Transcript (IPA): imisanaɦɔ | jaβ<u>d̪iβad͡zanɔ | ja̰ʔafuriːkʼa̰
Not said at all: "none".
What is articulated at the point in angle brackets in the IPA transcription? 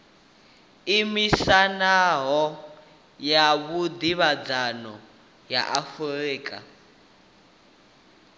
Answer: u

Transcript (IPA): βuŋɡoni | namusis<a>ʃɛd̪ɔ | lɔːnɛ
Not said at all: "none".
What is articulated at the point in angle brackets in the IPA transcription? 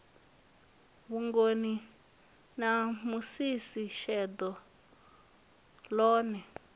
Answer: i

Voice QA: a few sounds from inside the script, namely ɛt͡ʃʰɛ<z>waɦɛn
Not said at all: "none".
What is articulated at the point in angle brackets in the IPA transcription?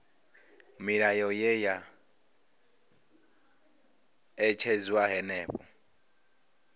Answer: z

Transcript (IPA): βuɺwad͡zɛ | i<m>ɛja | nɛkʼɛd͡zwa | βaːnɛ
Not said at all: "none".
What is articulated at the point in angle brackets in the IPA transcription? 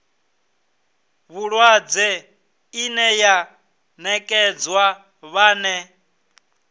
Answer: n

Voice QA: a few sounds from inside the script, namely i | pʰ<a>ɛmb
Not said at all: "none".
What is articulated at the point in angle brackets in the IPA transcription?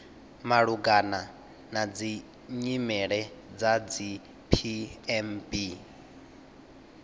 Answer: i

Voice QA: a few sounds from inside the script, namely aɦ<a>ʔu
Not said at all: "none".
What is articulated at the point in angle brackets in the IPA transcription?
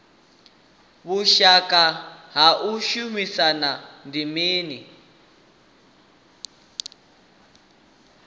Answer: a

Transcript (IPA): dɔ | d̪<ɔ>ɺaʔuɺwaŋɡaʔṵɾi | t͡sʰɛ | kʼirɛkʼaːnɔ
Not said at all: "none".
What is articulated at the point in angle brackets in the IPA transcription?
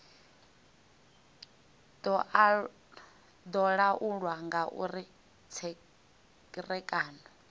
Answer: ɔ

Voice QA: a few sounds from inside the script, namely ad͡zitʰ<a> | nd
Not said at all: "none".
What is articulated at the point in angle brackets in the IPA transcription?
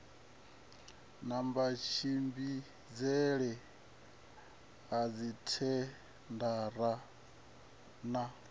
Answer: ɛ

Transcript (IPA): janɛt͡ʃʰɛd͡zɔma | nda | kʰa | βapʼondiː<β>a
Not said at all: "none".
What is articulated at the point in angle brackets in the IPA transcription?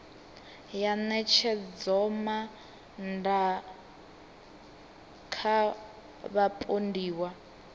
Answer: w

